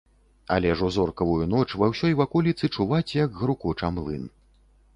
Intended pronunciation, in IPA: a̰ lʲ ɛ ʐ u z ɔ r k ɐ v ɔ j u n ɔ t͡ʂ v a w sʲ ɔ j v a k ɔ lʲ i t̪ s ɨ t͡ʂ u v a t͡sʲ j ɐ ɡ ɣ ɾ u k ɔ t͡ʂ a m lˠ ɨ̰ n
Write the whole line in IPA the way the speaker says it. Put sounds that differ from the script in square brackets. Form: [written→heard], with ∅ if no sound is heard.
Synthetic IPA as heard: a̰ lʲ ɛ ʐ u z ɔ r k ɐ v [ɔ→u] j u n ɔ t͡ʂ v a w sʲ ɔ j v a k ɔ lʲ i t̪ s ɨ t͡ʂ u v a t͡sʲ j ɐ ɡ ɣ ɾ u k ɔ t͡ʂ a m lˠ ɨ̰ n